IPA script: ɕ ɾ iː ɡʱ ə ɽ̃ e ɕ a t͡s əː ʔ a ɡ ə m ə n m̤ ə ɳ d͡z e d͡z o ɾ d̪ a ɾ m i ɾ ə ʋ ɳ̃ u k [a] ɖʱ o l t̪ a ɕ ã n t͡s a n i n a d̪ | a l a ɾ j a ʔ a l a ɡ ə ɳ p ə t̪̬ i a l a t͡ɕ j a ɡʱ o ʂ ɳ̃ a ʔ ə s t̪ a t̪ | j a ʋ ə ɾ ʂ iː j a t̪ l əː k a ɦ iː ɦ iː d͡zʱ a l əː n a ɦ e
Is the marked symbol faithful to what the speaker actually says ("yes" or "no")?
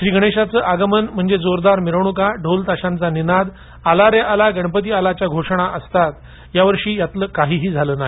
yes